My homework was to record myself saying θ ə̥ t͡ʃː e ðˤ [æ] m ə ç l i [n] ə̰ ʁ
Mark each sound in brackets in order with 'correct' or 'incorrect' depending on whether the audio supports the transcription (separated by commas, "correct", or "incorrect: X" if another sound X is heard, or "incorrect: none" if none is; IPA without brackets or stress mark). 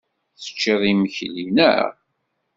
incorrect: i, correct